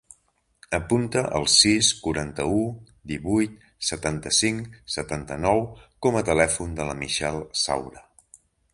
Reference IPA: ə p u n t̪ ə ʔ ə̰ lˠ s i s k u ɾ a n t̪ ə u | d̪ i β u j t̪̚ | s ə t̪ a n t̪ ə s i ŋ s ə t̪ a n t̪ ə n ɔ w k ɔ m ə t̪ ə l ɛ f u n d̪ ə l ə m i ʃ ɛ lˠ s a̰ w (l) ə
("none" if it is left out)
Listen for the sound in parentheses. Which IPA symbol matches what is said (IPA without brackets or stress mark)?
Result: ɾ